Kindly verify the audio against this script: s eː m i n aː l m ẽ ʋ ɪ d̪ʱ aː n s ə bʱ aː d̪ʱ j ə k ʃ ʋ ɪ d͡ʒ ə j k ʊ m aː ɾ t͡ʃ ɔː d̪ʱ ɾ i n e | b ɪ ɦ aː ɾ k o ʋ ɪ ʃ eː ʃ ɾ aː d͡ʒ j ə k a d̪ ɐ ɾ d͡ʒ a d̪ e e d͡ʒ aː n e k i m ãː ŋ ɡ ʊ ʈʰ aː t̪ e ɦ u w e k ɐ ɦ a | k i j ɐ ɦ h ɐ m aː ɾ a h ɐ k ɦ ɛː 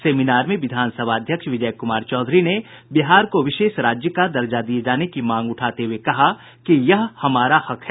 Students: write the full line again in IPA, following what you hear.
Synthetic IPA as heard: s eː m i n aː ɾ m ẽ ʋ ɪ d̪ʱ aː n s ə bʱ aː d̪ʱ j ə k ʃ ʋ ɪ d͡ʒ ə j k ʊ m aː ɾ t͡ʃ ɔː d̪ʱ ɾ i n e | b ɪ ɦ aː ɾ k o ʋ ɪ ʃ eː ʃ ɾ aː d͡ʒ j ə k a d̪ ɐ ɾ d͡ʒ a d̪ i e d͡ʒ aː n e k i m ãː ŋ ɡ ʊ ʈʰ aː t̪ e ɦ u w e k ɐ ɦ a | k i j ɐ ɦ h ɐ m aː ɾ a h ɐ k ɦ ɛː